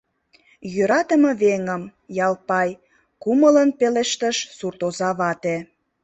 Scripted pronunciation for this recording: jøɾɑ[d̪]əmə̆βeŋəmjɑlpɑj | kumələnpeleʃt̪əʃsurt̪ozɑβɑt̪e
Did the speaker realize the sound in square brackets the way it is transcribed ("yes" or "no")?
no